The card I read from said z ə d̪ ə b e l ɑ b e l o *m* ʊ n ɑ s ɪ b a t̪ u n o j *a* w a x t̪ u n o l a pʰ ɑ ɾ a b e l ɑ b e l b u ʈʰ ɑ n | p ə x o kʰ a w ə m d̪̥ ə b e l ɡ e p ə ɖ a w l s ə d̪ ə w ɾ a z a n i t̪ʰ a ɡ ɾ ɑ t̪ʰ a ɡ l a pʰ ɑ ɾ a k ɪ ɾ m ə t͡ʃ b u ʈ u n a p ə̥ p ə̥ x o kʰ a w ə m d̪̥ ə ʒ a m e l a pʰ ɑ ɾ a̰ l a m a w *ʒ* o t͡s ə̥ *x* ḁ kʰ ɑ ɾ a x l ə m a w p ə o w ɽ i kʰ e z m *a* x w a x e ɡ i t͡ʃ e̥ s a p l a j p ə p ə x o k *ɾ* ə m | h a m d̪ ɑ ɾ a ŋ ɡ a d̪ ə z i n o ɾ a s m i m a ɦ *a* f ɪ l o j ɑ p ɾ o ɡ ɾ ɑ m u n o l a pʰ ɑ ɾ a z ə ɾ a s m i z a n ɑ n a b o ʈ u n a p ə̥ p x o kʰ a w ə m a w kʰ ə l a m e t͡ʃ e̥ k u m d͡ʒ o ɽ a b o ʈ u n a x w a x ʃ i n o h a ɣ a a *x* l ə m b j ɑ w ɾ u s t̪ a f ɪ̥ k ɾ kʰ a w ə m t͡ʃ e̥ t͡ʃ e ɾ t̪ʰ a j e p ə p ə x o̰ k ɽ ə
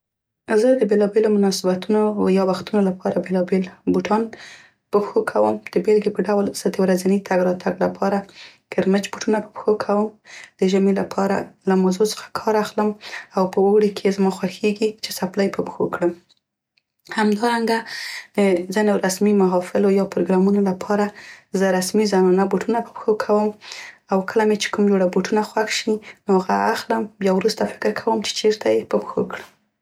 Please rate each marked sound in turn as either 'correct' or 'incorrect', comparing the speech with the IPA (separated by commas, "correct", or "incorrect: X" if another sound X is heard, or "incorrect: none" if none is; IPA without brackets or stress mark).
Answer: correct, incorrect: ɑ, incorrect: z, correct, incorrect: ɑ, incorrect: ɽ, incorrect: ɑ, correct